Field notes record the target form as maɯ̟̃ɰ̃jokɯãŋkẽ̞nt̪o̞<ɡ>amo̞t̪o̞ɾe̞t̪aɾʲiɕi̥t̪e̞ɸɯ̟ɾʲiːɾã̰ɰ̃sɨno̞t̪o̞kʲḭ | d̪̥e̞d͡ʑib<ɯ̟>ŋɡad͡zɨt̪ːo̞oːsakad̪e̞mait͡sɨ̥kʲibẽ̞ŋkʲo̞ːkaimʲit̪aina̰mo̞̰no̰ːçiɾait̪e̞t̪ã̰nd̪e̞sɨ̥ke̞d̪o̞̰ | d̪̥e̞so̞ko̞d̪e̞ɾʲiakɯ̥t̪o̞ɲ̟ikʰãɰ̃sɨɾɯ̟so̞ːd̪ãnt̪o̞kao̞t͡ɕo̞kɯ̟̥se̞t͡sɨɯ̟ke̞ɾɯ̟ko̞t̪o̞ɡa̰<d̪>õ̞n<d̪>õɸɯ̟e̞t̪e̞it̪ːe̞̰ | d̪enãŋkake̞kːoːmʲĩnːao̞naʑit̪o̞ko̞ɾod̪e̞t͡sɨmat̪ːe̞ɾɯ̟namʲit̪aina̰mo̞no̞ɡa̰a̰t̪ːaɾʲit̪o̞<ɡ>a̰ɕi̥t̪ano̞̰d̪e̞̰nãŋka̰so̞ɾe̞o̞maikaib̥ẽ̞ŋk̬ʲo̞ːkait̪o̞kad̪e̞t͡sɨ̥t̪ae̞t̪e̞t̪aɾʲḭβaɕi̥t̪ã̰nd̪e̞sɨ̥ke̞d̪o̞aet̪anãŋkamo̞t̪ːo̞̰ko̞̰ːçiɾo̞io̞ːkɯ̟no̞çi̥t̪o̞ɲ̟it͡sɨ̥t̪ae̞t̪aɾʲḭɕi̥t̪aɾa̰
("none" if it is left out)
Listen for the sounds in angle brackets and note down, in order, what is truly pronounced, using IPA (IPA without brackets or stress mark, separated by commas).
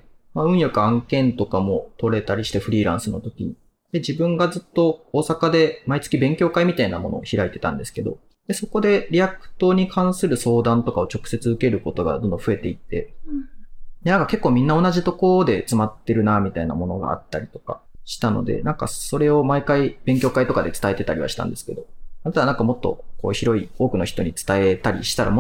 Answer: k, ɯ̟̃, d̪, d̪, k